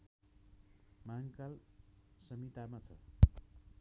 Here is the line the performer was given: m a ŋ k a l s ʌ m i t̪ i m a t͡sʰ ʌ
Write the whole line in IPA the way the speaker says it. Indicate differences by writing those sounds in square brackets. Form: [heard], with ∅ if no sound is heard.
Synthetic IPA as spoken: m a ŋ k a l s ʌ m i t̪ [a] m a t͡sʰ ʌ